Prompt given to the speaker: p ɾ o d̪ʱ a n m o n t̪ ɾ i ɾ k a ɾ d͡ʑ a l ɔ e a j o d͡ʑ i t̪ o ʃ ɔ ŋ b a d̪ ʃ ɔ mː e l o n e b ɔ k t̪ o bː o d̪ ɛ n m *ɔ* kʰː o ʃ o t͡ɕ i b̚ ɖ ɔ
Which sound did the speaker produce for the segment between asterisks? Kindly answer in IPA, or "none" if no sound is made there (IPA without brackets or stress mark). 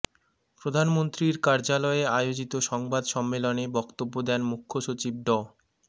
u